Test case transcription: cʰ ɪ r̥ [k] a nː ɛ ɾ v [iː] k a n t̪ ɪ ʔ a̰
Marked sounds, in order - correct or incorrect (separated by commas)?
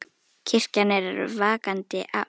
incorrect, incorrect